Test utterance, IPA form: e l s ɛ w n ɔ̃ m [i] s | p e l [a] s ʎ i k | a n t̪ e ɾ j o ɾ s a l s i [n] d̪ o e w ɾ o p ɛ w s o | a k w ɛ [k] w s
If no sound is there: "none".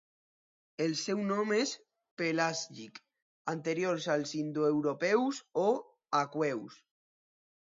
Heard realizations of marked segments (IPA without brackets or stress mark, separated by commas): e, a, n, none